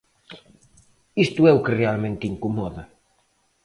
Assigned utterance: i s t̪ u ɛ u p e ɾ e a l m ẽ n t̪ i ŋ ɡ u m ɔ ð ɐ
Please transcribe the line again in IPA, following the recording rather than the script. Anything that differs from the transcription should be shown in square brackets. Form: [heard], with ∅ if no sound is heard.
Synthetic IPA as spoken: i s t̪ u ɛ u [k] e [r] e a l m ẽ n t̪ i ŋ [k] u m ɔ ð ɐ